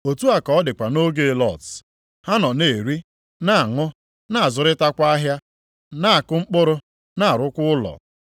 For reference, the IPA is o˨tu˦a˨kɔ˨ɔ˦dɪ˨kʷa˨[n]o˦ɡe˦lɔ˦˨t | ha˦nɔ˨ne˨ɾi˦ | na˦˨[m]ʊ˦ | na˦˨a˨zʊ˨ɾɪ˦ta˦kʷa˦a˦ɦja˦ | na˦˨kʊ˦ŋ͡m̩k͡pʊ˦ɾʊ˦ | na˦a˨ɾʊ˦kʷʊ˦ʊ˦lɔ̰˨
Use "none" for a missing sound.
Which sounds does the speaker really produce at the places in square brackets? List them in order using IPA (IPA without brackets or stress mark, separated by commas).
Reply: n, ŋ